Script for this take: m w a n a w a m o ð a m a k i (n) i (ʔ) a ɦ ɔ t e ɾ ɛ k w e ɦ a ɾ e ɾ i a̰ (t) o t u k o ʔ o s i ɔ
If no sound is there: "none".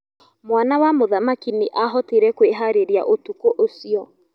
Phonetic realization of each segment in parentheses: n, ʔ, ʔ

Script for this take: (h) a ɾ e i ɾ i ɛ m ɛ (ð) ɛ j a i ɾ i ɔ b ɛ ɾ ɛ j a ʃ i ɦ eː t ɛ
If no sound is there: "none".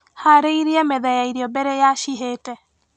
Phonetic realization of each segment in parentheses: h, ð

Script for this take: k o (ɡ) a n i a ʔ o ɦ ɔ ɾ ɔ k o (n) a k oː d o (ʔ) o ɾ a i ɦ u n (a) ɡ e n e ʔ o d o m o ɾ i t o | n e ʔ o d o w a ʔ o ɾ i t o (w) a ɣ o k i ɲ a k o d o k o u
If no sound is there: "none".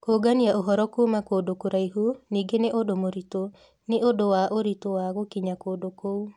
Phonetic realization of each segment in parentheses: ɡ, m, k, i, w

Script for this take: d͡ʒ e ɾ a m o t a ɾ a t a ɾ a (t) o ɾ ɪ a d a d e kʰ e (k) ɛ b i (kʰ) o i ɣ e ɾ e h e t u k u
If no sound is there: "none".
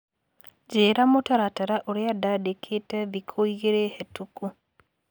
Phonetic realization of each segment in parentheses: ʔ, t, kʰ

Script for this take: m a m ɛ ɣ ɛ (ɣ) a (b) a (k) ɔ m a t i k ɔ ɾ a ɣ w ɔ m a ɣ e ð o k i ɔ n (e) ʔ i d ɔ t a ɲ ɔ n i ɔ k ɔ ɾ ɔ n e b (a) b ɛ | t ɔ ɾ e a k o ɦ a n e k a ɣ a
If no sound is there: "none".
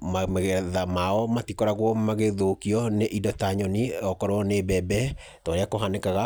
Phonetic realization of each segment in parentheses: ð, m, none, e, ɛ

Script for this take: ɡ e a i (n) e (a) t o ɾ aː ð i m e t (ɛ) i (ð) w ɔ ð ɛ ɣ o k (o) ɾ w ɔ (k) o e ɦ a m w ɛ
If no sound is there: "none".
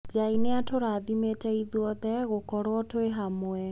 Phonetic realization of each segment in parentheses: n, a, ɛ, ð, ɔ, t

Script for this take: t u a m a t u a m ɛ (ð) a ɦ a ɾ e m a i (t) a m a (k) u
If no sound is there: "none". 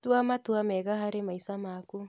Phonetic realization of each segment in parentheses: ɣ, s, k

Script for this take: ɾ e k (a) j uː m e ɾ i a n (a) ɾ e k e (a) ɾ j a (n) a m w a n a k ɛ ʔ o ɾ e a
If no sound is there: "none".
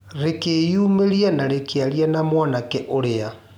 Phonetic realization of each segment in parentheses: e, a, a, n

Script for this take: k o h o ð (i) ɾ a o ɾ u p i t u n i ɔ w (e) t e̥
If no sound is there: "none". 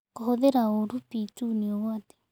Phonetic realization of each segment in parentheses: e, a

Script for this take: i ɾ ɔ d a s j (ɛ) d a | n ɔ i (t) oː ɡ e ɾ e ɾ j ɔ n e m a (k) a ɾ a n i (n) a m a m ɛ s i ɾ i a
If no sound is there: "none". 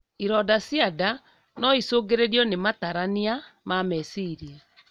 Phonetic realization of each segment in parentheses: a, s, t, none

